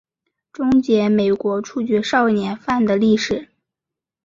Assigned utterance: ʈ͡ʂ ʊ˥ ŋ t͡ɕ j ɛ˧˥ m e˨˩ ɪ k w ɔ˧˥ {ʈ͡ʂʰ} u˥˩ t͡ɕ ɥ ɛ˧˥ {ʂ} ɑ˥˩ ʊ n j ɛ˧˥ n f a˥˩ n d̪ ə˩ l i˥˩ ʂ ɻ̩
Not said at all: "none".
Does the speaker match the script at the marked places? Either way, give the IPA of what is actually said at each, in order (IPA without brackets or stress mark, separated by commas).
ʈ͡ʂʰ, ʂ